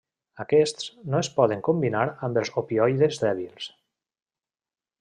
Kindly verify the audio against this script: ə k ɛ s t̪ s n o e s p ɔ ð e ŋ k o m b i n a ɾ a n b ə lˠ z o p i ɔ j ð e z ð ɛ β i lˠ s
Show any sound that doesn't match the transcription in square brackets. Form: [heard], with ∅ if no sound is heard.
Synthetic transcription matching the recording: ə k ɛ s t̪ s n o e s p ɔ ð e ŋ k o m b i n a ɾ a [m] b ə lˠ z o p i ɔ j ð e z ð ɛ β i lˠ s